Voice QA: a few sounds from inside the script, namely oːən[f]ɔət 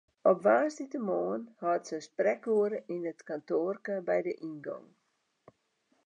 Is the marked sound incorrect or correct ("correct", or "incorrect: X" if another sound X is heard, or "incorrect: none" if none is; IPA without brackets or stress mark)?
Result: incorrect: h